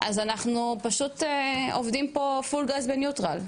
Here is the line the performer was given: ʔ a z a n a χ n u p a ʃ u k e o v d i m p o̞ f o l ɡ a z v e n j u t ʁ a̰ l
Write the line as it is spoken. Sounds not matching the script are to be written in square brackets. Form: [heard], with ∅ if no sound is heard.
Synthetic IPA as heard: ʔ a z a n a χ n u p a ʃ u [t] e o v d i m p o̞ f [u] l ɡ a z [b] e n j u t ʁ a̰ l